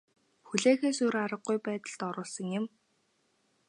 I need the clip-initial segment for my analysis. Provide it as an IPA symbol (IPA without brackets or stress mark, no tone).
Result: x